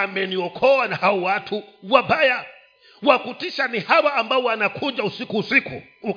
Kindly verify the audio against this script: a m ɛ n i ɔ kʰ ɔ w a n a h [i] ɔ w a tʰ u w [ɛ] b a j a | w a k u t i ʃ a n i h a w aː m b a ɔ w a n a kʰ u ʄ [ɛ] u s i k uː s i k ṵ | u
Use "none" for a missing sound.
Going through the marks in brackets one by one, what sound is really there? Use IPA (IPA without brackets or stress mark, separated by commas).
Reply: a, a, a